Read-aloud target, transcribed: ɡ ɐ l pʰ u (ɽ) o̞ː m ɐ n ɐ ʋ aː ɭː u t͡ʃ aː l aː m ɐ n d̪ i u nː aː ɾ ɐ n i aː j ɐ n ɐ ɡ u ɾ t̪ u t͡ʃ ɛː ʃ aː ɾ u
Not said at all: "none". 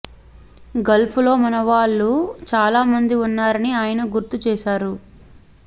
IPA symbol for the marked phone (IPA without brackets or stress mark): l